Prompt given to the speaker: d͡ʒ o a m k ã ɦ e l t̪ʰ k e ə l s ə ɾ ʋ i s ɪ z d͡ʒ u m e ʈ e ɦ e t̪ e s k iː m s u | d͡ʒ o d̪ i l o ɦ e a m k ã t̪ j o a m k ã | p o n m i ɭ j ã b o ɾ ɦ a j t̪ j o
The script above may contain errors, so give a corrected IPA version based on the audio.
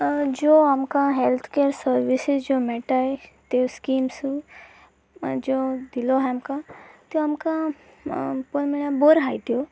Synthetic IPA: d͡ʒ o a m k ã ɦ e l t̪ʰ k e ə ɾ s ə ɾ ʋ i s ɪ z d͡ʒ o m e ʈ a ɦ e t̪ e s k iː m s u | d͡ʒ o d̪ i l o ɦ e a m k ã t̪ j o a m k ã | p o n m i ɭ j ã b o ɾ ɦ a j t̪ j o